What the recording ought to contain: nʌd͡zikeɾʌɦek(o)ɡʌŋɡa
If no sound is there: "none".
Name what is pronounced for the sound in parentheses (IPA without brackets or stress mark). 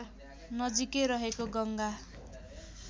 o